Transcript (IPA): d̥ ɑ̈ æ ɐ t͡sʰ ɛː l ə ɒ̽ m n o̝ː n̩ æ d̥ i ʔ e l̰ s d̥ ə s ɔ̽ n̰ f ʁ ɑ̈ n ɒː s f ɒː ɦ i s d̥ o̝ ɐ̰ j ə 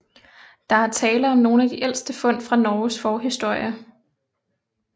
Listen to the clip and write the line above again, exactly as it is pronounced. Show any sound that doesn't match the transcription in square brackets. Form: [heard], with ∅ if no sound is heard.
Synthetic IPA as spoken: d̥ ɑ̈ æ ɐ t͡sʰ ɛː l ə ɒ̽ m n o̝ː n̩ æ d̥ i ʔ e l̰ s d̥ ə [f] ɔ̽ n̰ f ʁ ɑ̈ n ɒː s f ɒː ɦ i s d̥ o̝ ɐ̰ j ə